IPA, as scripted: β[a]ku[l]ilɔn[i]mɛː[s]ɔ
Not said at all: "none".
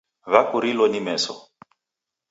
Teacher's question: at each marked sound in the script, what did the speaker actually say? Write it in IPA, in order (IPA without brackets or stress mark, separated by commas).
a, ɾ, i, s